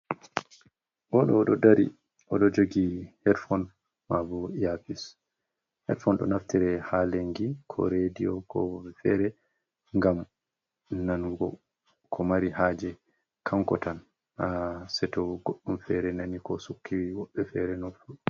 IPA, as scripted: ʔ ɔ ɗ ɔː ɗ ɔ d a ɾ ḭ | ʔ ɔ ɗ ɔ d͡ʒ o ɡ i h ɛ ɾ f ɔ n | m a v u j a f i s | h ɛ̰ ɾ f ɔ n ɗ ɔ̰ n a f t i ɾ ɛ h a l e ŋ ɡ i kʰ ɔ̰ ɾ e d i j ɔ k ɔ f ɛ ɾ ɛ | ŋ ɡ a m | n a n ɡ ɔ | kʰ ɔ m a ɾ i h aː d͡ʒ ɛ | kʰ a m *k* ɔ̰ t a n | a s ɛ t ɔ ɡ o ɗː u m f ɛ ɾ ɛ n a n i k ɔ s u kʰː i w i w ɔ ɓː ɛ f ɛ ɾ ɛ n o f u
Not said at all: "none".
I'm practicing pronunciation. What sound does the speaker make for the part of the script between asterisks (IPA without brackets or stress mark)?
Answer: k